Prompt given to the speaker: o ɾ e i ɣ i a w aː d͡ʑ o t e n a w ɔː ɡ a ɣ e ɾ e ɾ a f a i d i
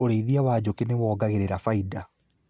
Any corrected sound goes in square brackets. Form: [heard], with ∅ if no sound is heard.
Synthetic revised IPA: o ɾ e i [ð] i a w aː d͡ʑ o [k] e n [e] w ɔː ɡ a ɣ e ɾ e ɾ a f a i d [a]